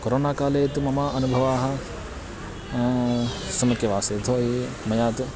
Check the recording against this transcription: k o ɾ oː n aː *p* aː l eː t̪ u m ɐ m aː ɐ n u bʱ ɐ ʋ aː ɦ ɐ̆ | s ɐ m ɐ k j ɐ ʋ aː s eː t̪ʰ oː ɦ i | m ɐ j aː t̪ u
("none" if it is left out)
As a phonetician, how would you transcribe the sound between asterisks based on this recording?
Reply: k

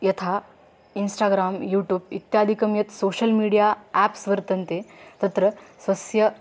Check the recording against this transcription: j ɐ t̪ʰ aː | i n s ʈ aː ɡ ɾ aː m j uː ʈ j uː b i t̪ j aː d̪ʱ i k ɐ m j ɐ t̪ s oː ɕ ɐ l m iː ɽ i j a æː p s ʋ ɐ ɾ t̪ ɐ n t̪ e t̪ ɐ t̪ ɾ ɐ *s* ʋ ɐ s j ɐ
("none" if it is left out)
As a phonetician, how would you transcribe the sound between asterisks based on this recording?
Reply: s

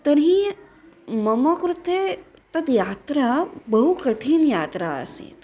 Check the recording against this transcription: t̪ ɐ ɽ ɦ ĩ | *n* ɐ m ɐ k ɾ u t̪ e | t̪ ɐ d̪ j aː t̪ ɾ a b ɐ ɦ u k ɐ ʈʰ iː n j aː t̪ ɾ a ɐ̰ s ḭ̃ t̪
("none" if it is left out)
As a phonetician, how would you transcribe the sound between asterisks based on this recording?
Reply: m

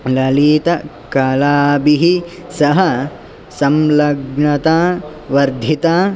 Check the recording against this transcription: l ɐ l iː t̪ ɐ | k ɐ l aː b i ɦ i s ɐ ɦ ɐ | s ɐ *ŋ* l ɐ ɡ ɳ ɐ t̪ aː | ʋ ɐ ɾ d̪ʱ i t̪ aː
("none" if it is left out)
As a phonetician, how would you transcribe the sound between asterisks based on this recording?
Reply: m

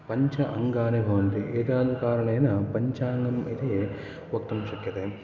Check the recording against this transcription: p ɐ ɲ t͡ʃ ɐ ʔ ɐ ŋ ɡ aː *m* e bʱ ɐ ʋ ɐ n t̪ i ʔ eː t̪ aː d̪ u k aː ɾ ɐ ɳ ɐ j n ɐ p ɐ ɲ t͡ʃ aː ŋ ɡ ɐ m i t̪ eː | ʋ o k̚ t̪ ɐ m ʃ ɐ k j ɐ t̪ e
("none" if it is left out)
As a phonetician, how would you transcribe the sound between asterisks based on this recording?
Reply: n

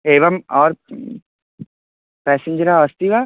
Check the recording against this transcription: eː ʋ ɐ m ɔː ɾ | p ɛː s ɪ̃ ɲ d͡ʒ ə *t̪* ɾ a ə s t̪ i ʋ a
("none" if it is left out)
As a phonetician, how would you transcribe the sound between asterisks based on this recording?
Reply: none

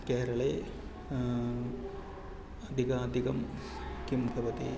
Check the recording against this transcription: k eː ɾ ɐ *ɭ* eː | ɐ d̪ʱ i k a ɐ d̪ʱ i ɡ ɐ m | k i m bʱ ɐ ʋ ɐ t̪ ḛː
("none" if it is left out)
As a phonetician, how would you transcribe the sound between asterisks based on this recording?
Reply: ɭ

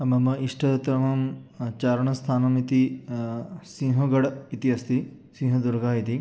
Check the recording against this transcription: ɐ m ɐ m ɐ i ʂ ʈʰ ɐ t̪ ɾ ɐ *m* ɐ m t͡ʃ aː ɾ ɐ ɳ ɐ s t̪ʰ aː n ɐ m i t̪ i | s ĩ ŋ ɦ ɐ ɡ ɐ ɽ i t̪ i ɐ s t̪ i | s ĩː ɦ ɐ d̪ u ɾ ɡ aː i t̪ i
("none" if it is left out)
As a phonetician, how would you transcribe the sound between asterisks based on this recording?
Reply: m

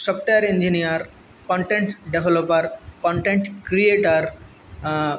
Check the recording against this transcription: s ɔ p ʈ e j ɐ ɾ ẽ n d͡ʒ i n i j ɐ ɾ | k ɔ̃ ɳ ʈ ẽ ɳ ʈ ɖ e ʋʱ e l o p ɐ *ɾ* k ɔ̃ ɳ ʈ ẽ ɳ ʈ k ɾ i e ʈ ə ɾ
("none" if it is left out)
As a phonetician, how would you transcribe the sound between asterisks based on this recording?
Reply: ɾ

